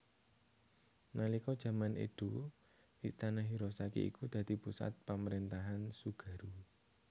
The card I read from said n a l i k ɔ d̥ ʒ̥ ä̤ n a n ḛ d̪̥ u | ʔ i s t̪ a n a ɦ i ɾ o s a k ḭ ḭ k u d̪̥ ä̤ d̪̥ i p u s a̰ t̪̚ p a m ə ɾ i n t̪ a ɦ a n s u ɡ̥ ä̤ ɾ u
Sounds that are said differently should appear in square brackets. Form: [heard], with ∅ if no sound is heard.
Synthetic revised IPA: n a l i k ɔ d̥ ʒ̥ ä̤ [m] a n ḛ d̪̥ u | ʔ i s t̪ a n a ɦ i ɾ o s a k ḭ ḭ k u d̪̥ ä̤ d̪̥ i p u s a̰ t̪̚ p a m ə ɾ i n t̪ a ɦ a n s u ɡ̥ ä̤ ɾ u